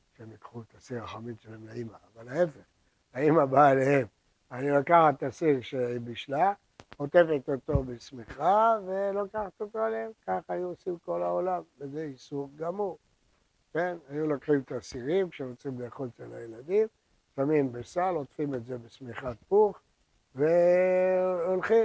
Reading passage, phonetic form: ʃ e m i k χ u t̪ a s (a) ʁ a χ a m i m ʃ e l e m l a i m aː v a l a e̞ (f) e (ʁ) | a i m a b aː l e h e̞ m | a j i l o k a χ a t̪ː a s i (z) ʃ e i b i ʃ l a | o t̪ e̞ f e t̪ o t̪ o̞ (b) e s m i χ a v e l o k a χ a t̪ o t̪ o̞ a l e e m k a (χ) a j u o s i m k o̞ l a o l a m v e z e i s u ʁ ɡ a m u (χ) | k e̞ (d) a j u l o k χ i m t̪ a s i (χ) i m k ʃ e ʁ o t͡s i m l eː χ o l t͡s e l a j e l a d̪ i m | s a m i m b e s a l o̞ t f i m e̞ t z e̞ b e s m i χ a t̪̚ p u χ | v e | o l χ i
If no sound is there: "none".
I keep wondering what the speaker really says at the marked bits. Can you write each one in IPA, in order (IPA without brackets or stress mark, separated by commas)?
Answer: i, f, χ, ʁ, b, χ, ʁ, n, ʁ